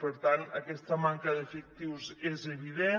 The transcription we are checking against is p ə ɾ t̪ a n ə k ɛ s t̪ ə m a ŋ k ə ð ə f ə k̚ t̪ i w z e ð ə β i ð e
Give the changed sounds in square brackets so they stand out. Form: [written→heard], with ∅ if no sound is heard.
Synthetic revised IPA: p ə ɾ t̪ a n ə k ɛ s t̪ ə m a ŋ k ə ð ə f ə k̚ t̪ i w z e [ð→z] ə β i ð e